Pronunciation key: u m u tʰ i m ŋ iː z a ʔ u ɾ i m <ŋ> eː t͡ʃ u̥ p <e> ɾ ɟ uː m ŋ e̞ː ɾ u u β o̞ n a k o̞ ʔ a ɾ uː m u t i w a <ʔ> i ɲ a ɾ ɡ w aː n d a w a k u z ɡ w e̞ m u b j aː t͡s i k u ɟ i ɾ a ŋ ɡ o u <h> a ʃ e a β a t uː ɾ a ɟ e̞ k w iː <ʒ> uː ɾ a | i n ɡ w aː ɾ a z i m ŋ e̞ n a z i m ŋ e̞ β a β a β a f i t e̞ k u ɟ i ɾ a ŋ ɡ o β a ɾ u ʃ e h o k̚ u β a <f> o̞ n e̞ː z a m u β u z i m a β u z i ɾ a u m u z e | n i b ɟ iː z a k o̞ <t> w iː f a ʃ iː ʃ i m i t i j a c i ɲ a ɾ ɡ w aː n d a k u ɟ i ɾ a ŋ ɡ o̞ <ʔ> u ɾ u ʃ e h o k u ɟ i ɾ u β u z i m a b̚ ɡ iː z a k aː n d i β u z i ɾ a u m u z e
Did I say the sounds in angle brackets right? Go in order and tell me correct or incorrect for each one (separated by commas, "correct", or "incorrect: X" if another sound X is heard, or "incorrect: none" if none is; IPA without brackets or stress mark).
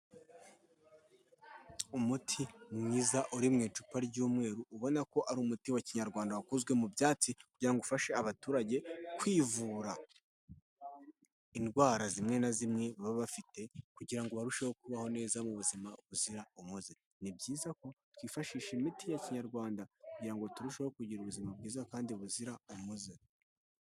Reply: correct, incorrect: a, incorrect: c, incorrect: f, incorrect: v, incorrect: h, correct, incorrect: t